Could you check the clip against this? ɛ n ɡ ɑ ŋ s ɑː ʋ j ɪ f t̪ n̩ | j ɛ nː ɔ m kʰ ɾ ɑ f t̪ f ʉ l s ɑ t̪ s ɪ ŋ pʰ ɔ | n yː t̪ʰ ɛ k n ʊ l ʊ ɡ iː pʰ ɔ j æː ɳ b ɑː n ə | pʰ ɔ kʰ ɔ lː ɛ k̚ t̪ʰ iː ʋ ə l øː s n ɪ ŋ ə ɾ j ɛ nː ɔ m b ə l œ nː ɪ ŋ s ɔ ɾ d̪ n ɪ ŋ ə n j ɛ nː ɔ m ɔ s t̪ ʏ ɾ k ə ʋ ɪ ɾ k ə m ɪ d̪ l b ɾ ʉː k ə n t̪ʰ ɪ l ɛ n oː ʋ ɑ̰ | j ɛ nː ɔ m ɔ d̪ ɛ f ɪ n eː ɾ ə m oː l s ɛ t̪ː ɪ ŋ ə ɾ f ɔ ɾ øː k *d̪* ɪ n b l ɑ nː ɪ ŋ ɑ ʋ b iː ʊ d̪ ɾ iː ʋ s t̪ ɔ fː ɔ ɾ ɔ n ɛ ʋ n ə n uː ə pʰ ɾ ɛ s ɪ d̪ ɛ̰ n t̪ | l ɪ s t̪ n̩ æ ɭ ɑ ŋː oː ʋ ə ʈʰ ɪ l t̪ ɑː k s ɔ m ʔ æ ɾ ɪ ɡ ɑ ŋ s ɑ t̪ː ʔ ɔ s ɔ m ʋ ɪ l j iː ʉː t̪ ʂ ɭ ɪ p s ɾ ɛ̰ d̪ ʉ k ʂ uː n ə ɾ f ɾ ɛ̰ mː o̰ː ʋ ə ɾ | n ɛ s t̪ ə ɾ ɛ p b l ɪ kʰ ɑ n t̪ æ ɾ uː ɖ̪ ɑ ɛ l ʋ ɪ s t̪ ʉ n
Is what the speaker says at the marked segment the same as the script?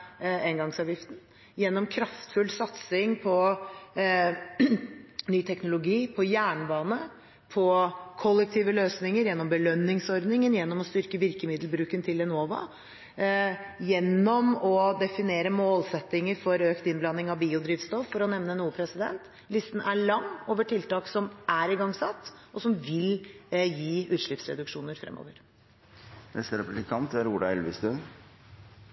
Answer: no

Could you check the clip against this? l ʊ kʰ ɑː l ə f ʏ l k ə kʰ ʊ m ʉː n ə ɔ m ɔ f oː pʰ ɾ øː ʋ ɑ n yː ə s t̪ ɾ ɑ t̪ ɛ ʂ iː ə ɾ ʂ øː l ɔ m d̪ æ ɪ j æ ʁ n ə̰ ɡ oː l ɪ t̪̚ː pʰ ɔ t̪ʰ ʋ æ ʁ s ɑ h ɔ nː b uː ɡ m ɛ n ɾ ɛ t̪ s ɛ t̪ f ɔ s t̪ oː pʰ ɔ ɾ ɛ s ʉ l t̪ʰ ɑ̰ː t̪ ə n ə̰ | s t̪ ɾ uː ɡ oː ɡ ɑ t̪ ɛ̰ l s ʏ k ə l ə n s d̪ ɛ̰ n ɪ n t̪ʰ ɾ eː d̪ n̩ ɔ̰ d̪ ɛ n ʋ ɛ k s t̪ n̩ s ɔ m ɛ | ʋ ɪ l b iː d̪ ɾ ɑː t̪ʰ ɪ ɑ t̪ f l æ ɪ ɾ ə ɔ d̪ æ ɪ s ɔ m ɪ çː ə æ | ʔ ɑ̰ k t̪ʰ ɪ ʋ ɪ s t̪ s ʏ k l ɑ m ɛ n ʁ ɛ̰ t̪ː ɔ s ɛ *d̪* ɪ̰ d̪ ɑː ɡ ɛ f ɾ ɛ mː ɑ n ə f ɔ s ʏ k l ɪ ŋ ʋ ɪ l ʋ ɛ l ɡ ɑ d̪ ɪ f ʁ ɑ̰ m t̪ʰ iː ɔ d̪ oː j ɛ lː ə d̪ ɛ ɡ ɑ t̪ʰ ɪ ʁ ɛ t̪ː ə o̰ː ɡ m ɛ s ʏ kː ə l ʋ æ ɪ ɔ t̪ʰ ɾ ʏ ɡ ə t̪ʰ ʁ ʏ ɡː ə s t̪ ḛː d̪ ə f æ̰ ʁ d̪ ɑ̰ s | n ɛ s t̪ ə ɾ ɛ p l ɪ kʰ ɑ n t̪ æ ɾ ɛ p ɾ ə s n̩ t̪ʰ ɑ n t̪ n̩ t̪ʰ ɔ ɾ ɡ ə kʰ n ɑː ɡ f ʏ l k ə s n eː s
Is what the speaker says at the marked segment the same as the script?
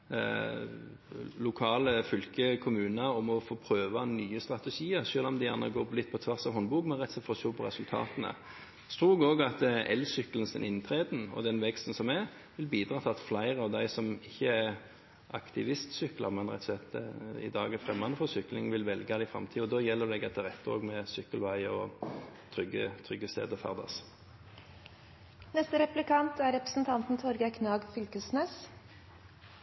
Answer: no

